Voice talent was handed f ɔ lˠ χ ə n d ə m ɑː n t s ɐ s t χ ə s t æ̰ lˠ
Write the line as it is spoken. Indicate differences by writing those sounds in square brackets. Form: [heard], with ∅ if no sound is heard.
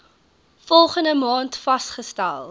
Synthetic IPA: f ɔ lˠ χ ə n d ə m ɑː n t [f] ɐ s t χ ə s t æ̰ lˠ